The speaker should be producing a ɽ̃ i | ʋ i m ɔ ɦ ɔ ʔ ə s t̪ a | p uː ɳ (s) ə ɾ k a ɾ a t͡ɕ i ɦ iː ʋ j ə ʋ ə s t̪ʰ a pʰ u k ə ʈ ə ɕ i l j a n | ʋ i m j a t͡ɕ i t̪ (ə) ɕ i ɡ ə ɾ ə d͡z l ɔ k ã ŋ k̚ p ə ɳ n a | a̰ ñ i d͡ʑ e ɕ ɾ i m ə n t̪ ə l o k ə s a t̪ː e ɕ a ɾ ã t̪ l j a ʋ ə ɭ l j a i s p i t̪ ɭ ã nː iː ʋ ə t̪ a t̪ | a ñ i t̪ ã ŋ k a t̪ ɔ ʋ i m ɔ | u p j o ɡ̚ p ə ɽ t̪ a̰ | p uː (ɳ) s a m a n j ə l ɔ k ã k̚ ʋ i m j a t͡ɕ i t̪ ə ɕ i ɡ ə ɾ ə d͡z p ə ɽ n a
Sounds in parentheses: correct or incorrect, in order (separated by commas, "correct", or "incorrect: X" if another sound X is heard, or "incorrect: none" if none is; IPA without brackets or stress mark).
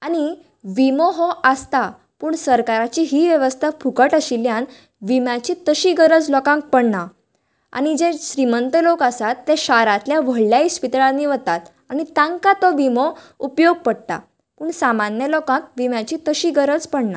correct, correct, correct